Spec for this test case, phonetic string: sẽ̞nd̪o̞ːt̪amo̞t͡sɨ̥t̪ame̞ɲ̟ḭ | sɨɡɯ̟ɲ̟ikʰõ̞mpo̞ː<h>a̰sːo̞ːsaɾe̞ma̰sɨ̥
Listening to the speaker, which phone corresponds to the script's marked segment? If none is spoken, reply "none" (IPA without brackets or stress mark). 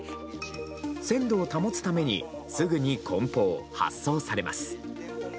h